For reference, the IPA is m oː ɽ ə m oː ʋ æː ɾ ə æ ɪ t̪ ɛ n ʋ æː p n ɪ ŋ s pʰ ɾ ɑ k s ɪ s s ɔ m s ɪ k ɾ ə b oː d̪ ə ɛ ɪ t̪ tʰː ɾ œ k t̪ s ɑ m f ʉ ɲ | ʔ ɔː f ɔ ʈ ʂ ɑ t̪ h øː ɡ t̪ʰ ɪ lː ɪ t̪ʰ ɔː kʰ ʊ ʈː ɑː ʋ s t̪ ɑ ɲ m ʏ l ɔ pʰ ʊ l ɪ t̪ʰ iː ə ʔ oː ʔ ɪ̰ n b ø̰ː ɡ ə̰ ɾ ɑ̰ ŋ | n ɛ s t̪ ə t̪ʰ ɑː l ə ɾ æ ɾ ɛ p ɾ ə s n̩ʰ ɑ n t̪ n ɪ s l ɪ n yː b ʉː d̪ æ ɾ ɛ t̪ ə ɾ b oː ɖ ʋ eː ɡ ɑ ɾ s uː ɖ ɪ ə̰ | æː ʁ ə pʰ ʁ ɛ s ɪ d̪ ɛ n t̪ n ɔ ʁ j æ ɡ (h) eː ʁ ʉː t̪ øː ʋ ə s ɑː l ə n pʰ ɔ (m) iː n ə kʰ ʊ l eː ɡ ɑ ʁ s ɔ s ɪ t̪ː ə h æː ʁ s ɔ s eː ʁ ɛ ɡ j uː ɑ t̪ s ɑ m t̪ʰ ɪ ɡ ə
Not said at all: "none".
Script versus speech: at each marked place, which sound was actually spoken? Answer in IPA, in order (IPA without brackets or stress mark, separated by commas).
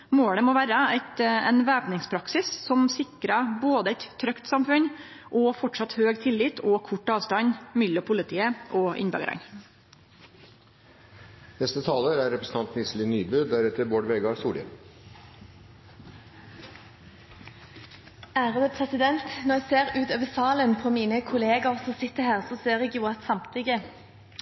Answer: s, m